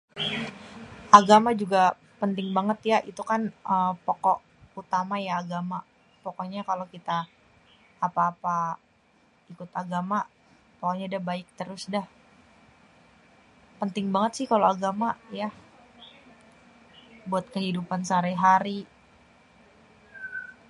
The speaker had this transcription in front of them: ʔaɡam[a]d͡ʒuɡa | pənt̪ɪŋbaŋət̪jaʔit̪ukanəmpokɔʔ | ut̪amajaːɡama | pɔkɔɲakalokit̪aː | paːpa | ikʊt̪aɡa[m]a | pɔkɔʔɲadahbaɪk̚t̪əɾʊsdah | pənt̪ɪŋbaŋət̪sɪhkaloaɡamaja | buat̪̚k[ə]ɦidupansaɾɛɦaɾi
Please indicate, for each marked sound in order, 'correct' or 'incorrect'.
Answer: correct, correct, correct

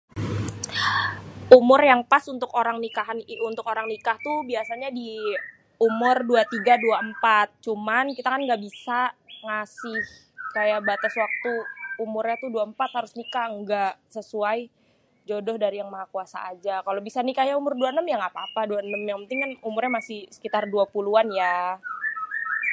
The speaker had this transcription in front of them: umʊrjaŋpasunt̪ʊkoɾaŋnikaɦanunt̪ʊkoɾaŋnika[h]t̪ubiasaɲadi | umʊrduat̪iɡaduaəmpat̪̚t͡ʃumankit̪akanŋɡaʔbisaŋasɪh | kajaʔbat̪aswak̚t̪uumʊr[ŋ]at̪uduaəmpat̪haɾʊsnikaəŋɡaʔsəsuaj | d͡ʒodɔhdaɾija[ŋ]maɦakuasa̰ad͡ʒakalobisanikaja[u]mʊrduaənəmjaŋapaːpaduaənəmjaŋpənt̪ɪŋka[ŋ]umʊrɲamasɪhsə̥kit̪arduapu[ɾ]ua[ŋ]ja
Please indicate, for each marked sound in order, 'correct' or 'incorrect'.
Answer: correct, incorrect, correct, correct, incorrect, incorrect, incorrect

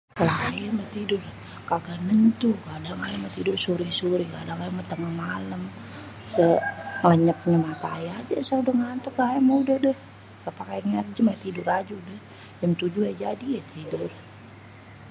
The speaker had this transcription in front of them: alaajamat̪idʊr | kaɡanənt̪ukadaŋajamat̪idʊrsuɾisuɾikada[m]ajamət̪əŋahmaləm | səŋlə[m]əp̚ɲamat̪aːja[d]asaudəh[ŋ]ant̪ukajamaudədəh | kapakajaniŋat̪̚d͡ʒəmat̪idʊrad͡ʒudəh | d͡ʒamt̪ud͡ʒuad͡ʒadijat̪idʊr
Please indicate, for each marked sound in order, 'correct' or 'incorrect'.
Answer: incorrect, incorrect, incorrect, correct

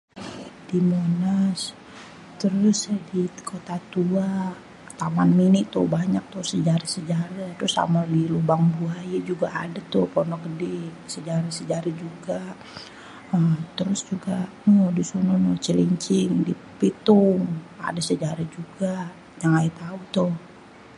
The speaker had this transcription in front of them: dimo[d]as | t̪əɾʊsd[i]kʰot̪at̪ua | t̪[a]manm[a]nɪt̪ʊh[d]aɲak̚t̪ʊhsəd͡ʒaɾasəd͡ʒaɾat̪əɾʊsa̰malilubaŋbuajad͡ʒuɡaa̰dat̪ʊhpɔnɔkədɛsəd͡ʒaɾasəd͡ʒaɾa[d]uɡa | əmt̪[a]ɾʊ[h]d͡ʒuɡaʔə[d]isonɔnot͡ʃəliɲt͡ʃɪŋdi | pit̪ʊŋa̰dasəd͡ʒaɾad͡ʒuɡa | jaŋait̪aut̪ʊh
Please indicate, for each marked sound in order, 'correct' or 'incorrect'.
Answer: incorrect, correct, correct, incorrect, incorrect, incorrect, incorrect, incorrect, correct

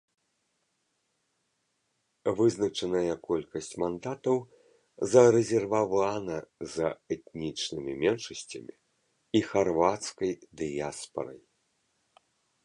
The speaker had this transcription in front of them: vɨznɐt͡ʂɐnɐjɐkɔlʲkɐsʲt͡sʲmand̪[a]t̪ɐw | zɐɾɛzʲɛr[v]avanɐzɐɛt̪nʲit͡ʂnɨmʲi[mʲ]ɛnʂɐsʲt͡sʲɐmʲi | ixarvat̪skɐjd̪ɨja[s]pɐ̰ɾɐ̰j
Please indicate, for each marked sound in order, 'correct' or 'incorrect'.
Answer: correct, correct, correct, correct

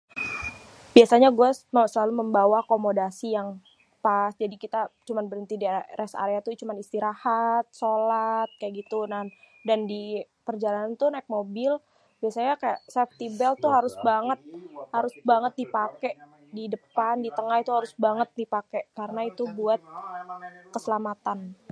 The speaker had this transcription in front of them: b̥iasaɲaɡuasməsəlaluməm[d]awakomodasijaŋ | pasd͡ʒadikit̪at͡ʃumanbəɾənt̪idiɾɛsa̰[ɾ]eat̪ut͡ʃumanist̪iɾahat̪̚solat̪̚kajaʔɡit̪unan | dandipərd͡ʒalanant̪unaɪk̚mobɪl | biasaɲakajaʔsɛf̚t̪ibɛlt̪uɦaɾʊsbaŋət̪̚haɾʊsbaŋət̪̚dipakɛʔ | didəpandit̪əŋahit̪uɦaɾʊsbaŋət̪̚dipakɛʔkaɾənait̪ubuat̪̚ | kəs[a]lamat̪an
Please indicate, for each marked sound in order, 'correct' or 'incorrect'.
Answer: incorrect, correct, incorrect

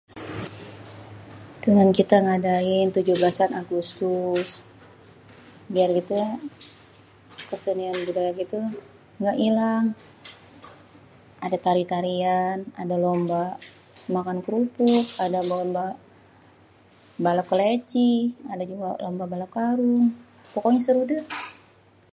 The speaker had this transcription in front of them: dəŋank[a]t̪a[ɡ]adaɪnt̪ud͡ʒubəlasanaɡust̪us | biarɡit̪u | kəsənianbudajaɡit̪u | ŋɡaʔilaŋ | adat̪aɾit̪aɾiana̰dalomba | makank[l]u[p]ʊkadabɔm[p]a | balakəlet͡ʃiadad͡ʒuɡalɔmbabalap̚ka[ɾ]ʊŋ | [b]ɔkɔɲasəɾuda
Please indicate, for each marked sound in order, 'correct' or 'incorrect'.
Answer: incorrect, incorrect, incorrect, correct, incorrect, correct, incorrect

